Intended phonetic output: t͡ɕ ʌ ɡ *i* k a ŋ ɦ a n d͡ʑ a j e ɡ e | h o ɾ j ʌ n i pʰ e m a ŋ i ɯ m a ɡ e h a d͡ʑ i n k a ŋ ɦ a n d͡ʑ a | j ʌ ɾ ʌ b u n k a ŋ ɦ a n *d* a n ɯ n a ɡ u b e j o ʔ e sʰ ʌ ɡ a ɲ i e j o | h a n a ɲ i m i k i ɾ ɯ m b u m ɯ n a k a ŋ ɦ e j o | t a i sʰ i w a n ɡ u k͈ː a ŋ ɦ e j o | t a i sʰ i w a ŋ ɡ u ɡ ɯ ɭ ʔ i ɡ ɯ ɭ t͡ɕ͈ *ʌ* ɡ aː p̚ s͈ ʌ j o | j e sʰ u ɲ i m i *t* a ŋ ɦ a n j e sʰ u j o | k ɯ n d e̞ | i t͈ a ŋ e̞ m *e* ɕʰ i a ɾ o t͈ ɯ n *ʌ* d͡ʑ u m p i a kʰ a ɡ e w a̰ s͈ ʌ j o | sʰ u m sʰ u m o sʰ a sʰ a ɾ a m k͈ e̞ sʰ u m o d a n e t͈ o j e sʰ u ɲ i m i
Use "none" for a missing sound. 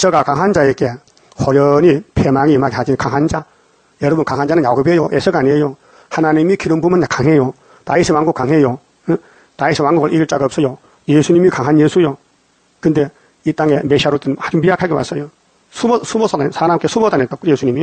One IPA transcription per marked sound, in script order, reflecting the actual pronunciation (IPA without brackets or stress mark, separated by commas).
a, d͡ʑ, a, k, e, a